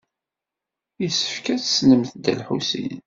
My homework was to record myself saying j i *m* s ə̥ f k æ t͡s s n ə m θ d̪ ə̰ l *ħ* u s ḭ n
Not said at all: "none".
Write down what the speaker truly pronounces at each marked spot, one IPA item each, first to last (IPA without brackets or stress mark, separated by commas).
none, ħ